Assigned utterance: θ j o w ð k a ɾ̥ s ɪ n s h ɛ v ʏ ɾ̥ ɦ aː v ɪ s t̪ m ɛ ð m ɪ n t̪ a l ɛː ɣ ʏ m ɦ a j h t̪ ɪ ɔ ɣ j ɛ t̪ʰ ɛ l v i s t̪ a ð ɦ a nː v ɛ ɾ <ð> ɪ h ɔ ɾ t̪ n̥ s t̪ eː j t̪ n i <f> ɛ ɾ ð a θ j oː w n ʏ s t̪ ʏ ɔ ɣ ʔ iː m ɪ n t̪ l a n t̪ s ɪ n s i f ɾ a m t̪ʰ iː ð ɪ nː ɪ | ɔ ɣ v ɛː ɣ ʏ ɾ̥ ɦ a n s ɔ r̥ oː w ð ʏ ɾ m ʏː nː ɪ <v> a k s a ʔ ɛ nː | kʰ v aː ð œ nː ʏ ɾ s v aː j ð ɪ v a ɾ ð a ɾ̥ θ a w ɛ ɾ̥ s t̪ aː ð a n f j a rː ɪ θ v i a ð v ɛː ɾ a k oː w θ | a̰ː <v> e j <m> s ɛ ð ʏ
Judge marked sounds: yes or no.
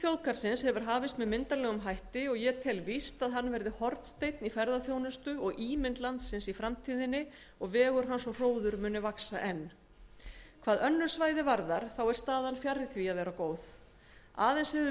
yes, yes, yes, no, no

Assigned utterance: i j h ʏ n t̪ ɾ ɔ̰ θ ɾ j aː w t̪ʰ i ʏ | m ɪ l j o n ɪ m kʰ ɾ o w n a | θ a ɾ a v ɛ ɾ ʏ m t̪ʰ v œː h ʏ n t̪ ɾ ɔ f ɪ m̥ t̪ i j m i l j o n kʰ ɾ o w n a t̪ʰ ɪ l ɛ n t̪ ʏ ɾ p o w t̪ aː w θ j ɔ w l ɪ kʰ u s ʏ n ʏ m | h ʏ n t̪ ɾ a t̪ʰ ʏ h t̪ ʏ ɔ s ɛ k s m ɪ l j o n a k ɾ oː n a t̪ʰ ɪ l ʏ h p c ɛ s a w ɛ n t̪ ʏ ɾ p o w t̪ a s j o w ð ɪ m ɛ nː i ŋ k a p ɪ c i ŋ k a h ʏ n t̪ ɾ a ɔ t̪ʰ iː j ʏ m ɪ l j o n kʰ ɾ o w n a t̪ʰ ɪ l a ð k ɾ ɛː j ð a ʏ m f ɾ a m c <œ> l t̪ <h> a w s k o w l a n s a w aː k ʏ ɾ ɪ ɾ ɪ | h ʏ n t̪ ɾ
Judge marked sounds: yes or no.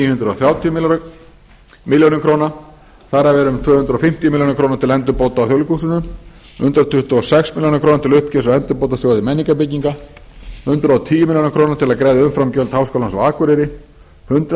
yes, yes

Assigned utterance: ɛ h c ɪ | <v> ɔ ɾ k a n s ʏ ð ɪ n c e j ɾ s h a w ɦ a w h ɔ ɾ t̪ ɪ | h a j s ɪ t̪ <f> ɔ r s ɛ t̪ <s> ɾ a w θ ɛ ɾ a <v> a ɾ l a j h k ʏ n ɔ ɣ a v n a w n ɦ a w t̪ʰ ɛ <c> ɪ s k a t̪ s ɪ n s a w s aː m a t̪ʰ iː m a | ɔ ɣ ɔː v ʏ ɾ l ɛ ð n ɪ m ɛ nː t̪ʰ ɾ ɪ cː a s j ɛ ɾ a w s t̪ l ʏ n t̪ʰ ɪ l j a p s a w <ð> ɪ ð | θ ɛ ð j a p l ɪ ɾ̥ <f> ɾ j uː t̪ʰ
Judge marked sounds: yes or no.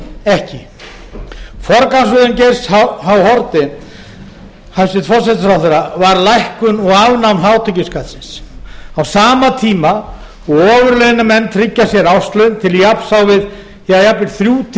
no, yes, no, yes, yes, no, no

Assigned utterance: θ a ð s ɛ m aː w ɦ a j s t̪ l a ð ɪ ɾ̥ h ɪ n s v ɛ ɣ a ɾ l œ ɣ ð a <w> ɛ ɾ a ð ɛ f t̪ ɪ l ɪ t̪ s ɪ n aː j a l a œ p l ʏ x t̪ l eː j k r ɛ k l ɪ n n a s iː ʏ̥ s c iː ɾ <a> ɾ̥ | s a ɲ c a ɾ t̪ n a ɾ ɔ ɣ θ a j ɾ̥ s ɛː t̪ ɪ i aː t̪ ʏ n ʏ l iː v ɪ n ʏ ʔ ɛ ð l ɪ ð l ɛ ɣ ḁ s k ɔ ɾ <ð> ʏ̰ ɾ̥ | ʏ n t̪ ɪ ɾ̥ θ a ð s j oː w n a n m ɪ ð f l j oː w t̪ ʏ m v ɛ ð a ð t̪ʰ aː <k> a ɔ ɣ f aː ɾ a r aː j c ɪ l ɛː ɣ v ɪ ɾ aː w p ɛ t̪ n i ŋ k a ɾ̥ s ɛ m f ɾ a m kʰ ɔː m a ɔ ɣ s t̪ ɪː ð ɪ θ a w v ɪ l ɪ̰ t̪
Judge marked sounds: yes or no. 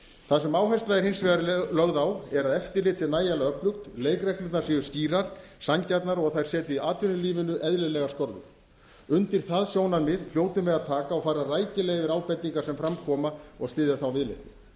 yes, yes, yes, yes

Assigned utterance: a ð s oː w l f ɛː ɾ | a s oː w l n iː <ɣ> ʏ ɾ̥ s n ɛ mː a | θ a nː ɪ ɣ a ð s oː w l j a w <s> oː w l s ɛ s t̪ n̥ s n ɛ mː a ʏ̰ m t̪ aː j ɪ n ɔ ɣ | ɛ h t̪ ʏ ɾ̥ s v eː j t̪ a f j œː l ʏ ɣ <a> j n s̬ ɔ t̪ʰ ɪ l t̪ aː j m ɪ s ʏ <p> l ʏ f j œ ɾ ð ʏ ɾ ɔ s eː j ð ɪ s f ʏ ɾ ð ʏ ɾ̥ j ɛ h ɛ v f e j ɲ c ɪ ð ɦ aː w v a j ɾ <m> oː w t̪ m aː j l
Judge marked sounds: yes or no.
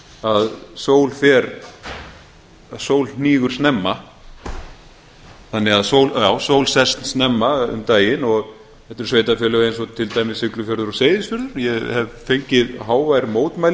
yes, yes, no, no, yes

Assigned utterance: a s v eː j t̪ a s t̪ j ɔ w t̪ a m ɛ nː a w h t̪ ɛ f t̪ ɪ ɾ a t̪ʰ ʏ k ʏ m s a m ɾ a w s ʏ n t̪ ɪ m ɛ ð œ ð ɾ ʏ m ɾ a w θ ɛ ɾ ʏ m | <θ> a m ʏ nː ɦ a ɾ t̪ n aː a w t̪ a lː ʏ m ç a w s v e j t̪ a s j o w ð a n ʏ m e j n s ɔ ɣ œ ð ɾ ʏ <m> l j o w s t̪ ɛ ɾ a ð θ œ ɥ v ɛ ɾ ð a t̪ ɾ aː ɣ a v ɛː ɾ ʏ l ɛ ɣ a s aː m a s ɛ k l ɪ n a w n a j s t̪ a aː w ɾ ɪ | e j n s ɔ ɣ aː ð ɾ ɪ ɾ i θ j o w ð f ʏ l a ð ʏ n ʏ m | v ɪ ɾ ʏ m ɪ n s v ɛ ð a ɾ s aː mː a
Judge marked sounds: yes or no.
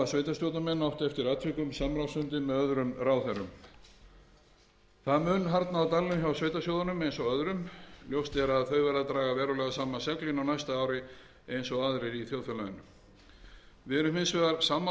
yes, yes

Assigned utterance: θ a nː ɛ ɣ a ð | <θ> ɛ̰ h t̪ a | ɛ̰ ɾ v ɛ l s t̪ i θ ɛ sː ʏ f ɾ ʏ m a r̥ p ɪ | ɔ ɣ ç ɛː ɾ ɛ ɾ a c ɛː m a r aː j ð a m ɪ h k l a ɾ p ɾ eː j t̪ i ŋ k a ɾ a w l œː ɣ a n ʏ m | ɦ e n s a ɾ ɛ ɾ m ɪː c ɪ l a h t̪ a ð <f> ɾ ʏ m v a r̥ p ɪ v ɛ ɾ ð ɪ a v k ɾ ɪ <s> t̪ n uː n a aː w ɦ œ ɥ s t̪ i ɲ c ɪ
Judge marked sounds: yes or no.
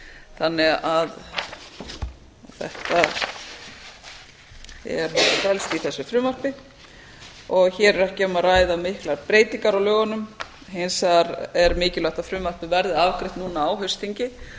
yes, yes, no

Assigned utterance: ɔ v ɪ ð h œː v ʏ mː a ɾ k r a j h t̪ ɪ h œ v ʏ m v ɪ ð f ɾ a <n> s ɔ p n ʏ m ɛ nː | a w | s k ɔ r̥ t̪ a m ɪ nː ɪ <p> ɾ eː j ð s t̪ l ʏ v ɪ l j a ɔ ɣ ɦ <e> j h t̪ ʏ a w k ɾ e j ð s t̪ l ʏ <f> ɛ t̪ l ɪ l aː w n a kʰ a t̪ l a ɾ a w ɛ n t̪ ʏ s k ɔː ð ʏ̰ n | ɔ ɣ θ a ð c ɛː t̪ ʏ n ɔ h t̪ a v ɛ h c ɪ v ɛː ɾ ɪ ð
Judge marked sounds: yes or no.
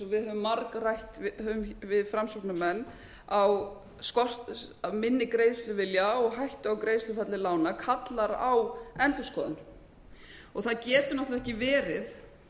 no, no, no, yes

